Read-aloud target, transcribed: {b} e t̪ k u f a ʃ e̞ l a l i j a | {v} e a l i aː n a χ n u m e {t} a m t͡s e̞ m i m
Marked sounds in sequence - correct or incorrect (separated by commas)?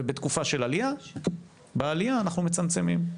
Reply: correct, incorrect, incorrect